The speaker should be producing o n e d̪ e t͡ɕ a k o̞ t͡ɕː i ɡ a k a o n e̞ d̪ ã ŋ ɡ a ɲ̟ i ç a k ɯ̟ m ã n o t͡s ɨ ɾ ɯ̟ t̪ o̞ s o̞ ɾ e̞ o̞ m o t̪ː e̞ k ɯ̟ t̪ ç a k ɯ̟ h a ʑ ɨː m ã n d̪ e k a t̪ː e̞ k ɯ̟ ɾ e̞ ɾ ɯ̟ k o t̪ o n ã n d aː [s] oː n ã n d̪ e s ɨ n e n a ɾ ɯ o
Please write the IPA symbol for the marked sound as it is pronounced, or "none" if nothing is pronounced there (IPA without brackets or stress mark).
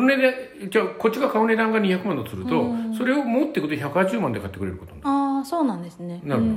s